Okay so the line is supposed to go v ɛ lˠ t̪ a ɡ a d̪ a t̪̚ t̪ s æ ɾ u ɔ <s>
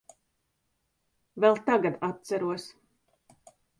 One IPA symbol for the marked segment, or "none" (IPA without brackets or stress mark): s